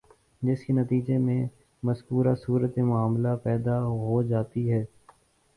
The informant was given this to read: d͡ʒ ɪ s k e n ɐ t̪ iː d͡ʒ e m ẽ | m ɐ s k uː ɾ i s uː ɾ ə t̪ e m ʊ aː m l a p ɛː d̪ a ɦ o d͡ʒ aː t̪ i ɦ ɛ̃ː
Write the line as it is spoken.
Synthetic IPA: d͡ʒ ɪ s k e n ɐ t̪ iː d͡ʒ e m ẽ | m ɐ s k uː ɾ a s uː ɾ ə t̪ e m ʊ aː m l a p ɛː d̪ a ɦ o d͡ʒ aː t̪ i ɦ ɛː